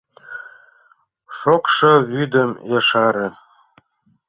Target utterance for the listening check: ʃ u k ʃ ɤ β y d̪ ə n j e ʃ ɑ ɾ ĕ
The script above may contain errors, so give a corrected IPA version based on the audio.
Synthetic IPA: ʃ o k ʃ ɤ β y d̪ ə m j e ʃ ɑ ɾ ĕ